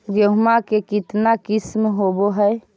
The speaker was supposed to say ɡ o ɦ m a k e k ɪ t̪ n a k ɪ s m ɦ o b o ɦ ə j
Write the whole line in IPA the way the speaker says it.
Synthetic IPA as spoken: ɡ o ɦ m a k e k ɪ t̪ n a k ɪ s m ɦ o b o ɦ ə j